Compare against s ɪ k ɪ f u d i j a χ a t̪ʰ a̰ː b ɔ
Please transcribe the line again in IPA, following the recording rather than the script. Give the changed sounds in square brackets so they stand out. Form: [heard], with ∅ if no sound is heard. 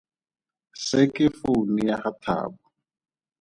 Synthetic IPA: s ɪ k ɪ f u [n] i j a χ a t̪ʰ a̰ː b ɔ